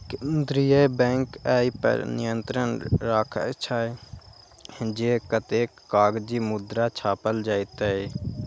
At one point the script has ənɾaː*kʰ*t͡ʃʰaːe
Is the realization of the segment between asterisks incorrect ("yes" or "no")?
no